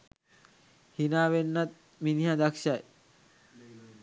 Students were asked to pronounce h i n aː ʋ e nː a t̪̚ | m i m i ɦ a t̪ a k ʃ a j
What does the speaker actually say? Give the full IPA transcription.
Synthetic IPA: h i n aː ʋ e nː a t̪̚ | m i n i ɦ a d̪ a k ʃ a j